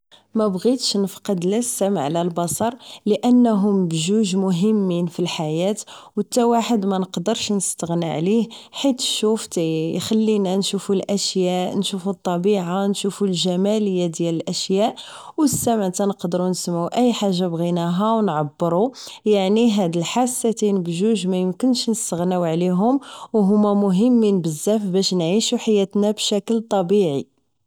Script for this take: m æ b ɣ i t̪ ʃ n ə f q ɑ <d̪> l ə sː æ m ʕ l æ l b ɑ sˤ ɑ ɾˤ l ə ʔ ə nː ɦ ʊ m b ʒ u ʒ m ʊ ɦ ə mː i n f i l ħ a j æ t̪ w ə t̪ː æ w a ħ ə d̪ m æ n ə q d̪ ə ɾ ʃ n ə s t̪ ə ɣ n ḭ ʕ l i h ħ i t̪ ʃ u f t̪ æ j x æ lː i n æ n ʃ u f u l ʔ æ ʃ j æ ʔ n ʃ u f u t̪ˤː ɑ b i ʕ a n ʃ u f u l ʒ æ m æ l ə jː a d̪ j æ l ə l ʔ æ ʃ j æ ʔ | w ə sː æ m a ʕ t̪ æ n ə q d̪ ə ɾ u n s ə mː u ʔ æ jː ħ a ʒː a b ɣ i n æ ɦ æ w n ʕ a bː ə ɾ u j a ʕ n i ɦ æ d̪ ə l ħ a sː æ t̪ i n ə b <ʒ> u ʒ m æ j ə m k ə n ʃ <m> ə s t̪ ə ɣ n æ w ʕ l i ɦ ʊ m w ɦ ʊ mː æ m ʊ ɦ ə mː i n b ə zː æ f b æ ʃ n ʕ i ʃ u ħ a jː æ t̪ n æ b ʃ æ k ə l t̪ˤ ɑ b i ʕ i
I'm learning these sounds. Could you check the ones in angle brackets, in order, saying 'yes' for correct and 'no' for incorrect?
yes, yes, no

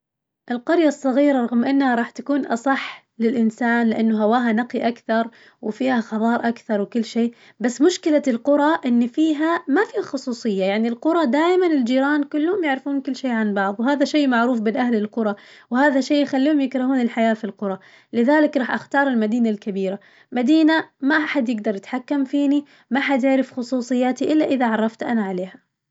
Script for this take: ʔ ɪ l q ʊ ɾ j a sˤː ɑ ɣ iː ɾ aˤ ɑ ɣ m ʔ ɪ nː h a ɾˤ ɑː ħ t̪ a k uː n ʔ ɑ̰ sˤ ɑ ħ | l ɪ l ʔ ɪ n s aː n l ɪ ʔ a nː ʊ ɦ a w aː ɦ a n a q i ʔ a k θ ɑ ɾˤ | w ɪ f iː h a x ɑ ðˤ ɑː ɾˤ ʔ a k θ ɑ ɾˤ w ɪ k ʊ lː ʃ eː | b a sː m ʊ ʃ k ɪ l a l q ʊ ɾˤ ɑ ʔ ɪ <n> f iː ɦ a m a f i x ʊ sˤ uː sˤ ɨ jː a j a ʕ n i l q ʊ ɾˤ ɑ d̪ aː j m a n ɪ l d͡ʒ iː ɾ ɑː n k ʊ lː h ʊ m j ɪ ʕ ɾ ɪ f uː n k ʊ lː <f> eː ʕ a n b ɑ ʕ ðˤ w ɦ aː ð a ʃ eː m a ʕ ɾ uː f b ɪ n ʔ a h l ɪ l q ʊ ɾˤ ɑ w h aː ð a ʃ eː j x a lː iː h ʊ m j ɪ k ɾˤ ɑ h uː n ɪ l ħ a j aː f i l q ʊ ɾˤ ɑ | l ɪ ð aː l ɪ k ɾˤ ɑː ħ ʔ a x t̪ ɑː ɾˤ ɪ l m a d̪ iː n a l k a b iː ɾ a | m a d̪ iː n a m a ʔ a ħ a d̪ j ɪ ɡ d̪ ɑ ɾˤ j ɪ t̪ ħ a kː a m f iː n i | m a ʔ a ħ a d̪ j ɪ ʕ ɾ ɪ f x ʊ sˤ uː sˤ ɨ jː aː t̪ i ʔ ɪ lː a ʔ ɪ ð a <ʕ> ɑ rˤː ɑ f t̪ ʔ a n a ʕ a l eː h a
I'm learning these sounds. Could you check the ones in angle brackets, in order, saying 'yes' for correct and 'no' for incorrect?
no, no, yes

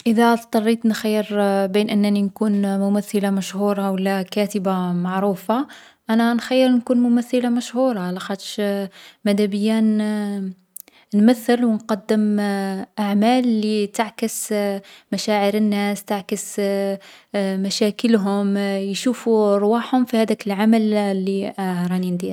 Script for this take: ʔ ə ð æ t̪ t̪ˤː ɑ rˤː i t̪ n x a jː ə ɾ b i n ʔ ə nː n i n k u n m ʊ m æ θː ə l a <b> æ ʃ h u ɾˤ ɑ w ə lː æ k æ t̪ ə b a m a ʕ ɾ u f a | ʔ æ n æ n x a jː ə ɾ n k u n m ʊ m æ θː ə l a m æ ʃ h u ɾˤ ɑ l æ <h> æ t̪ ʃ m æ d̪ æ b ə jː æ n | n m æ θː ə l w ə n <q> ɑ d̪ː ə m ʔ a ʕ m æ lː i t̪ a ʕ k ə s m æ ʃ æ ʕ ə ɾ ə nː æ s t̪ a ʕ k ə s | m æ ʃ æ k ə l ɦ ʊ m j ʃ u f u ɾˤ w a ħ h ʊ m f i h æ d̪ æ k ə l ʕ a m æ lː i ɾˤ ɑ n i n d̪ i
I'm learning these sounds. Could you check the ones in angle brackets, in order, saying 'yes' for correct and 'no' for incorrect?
no, no, yes

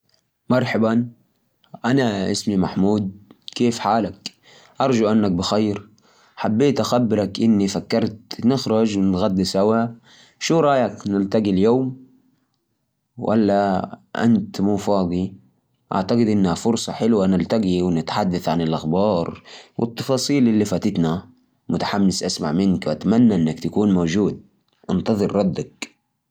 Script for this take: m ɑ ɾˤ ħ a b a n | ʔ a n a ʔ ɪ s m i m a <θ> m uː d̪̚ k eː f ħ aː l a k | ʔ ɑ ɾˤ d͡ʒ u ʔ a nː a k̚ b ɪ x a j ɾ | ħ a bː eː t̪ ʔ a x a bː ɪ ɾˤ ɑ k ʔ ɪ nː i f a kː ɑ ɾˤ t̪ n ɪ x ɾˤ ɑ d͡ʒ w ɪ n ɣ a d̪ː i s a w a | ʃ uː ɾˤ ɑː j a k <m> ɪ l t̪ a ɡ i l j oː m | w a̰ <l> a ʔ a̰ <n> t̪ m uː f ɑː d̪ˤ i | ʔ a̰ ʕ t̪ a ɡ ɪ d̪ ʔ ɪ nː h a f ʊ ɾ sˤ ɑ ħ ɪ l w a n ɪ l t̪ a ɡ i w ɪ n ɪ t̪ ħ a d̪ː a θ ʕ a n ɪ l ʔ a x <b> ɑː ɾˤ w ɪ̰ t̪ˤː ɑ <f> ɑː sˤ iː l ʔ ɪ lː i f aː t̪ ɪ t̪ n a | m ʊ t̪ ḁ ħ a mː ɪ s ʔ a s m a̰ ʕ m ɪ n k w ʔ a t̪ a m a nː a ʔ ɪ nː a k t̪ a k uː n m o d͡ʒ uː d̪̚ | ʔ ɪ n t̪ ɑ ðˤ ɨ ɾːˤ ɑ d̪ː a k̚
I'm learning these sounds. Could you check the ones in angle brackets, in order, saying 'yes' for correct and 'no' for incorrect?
no, no, no, yes, yes, yes

